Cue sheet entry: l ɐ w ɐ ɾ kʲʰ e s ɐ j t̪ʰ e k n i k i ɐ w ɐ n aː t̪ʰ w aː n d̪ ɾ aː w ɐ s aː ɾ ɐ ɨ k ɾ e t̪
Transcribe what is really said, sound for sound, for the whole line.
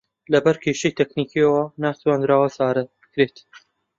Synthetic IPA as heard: l ɐ b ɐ ɾ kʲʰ e ʃ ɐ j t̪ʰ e k n i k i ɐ w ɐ n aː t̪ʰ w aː n d̪ ɾ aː w ɐ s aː ɾ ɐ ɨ k ɾ e t̪